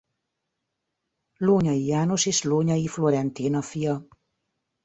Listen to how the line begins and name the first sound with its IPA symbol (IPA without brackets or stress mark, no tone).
l